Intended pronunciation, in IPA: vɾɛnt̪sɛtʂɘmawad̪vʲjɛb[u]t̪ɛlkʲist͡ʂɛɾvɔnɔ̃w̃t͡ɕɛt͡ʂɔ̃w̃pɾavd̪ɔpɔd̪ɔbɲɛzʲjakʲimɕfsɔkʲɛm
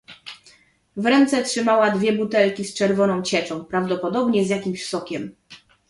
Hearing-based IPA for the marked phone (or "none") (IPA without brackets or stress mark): u